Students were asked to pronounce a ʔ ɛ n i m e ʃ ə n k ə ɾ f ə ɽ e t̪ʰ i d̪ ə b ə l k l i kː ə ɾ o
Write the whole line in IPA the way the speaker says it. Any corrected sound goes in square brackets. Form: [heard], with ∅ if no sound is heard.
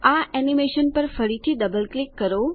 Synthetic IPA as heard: a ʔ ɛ n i m e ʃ ə n [p] ə ɾ f ə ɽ [i] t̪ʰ i d̪ ə b ə l k l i kː ə ɾ o